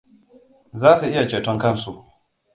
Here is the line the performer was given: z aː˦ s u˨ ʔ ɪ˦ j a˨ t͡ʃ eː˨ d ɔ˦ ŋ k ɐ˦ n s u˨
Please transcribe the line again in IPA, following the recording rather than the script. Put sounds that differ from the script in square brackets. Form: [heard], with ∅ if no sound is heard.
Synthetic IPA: z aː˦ s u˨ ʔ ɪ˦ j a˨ t͡ʃ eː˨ [t] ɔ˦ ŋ k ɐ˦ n s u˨

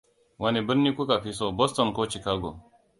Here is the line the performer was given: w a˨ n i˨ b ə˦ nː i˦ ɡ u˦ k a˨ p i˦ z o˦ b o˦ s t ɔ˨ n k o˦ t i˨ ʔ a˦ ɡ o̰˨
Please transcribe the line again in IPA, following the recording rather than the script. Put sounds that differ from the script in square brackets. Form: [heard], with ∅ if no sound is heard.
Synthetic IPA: w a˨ n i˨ b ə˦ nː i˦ [k] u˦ k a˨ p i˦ [s] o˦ b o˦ s t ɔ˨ n k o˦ [t͡ʃ] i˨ [k] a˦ ɡ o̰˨

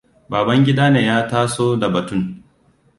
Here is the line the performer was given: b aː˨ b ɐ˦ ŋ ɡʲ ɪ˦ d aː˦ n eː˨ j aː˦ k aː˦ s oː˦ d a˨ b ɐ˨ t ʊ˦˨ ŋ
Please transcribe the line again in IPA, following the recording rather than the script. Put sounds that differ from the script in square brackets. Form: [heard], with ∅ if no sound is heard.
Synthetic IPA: b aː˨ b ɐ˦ ŋ ɡʲ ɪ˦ d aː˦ n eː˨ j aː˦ [t] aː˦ s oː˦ d a˨ b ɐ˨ t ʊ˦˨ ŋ

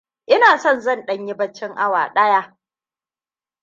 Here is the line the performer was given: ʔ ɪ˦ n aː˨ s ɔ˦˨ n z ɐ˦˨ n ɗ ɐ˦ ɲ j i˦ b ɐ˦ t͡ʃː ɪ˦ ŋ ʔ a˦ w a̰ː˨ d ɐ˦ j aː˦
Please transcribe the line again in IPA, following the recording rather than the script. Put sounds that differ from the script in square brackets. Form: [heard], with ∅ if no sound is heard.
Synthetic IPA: ʔ ɪ˦ n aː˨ s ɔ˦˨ n z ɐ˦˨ n ɗ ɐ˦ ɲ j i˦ b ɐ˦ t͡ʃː ɪ˦ ŋ ʔ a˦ w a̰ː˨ [ɗ] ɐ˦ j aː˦

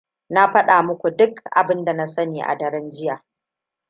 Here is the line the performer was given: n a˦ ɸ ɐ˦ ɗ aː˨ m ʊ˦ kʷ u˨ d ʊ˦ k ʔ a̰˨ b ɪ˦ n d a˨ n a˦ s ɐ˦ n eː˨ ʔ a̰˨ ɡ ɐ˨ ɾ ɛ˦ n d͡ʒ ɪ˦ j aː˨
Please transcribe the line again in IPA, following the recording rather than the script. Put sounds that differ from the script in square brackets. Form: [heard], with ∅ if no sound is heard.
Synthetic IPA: n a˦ ɸ ɐ˦ ɗ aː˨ m ʊ˦ kʷ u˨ d ʊ˦ k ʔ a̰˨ b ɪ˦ n d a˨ n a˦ s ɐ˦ n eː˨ ʔ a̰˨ [d] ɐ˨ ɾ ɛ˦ n d͡ʒ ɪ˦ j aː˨

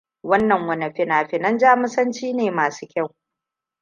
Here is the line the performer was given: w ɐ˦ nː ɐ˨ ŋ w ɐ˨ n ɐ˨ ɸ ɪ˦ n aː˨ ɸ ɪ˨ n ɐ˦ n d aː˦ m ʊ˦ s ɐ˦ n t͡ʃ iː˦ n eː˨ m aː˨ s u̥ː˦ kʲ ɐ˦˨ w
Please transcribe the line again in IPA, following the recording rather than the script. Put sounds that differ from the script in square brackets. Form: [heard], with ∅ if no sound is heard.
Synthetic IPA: w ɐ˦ nː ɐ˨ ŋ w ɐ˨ n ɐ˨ ɸ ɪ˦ n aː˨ ɸ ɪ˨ n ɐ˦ n [d͡ʒ] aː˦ m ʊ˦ s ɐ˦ n t͡ʃ iː˦ n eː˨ m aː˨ s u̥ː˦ kʲ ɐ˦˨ w

